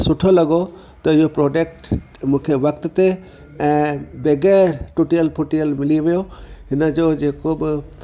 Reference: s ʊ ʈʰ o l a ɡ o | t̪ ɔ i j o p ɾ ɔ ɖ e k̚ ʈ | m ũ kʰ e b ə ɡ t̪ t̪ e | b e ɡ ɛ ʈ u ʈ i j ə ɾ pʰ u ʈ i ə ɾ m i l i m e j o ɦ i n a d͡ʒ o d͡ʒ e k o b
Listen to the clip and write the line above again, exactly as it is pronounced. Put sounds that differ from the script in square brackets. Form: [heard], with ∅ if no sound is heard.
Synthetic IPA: s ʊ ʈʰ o l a ɡ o | t̪ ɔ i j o p ɾ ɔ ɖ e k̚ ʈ | m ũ kʰ e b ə [k] t̪ t̪ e | b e ɡ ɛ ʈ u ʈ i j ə [l] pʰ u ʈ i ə [l] m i l i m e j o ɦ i n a d͡ʒ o d͡ʒ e k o b